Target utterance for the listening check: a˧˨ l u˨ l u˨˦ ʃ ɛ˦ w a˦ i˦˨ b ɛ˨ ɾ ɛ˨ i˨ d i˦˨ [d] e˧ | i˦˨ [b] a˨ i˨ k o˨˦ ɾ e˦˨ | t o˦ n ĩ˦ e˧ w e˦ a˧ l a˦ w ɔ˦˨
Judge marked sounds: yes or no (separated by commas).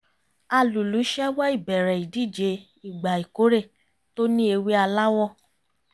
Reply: no, no